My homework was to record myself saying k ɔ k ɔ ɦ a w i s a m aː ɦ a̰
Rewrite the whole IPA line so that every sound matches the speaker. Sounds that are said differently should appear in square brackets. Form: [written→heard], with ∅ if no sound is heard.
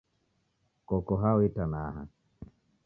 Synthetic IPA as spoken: k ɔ k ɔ ɦ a w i [s→t] a [m→n] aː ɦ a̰